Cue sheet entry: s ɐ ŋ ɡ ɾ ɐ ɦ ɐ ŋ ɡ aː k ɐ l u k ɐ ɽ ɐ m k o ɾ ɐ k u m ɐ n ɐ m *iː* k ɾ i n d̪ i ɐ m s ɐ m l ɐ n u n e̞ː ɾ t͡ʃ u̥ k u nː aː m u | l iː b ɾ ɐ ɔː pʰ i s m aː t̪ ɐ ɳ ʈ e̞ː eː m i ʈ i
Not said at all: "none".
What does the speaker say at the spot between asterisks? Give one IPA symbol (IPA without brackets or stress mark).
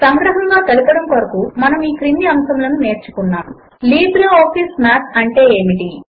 iː